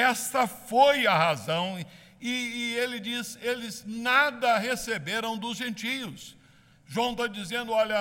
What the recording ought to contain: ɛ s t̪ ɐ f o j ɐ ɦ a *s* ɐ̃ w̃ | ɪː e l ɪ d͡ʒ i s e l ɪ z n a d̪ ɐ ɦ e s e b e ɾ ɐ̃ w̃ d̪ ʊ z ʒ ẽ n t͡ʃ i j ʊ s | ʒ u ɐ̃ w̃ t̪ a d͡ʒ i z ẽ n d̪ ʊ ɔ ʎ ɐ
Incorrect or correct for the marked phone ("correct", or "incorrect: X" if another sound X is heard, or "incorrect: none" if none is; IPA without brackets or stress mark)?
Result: incorrect: z